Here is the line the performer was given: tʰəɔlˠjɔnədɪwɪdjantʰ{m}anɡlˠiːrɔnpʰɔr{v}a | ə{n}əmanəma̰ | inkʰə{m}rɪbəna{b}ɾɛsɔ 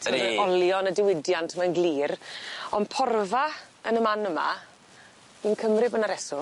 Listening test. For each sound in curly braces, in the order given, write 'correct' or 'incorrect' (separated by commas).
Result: correct, correct, correct, correct, incorrect